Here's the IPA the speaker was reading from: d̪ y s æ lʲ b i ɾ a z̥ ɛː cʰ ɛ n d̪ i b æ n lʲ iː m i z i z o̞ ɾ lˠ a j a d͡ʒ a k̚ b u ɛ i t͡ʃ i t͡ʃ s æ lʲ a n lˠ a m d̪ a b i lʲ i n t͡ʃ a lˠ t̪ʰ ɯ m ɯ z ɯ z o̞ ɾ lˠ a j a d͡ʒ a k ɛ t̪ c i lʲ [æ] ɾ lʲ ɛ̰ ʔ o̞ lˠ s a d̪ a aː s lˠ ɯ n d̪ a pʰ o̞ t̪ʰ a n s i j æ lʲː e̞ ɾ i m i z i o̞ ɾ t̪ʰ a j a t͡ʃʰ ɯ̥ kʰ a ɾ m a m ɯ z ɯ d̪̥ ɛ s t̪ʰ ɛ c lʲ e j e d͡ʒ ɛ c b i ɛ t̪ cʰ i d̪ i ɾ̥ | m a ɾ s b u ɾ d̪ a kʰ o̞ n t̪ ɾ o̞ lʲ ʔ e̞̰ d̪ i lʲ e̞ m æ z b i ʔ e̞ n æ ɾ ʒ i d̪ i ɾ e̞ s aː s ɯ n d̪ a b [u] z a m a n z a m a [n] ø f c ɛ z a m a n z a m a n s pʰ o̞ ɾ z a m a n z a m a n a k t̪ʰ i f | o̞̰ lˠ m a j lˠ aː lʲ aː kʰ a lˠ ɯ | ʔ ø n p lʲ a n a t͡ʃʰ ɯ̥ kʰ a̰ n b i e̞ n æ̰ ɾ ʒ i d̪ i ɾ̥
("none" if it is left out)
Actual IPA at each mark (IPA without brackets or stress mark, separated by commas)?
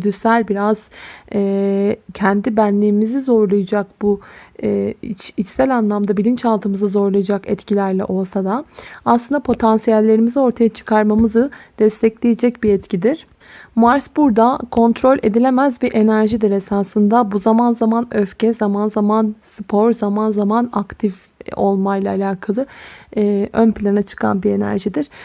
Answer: æ, u, n